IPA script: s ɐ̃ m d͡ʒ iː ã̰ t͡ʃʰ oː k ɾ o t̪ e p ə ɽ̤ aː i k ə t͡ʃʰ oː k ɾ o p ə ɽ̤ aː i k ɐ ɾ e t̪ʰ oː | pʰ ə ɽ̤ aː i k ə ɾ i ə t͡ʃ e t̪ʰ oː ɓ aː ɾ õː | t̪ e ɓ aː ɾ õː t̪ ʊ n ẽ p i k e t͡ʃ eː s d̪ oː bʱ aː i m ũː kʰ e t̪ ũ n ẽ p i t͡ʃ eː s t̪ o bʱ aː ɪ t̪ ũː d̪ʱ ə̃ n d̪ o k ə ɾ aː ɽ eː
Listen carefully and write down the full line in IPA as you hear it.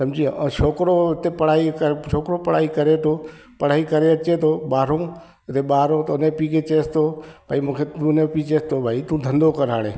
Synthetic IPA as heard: s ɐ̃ m d͡ʒ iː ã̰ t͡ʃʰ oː k ɾ o t̪ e p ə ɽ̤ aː i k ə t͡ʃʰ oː k ɾ o p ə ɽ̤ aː i k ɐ ɾ e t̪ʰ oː | p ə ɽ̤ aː i k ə ɾ e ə t͡ʃ e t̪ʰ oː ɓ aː ɾ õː | t̪ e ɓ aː ɾ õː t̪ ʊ n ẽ p i k e t͡ʃ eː s t̪ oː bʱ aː i m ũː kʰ e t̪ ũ n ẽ p i t͡ʃ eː s t̪ o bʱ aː i t̪ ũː d̪ʱ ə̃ n d̪ o k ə ɾ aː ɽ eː